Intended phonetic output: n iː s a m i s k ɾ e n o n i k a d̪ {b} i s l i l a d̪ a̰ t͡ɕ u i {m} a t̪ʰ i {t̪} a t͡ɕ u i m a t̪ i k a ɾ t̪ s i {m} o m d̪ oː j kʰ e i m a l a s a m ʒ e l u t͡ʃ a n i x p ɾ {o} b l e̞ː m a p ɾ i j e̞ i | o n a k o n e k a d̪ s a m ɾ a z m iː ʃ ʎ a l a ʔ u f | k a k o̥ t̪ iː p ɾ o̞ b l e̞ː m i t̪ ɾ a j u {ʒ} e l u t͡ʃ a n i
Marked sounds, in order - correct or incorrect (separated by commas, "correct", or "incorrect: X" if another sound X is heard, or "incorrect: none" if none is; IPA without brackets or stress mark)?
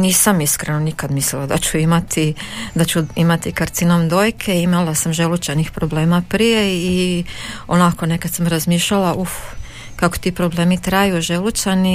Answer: incorrect: m, correct, incorrect: d̪, incorrect: n, correct, correct